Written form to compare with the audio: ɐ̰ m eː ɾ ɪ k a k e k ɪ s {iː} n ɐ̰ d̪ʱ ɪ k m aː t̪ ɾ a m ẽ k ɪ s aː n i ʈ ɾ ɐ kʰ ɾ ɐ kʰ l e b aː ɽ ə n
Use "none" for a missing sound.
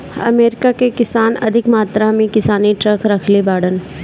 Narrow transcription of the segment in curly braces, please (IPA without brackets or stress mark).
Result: aː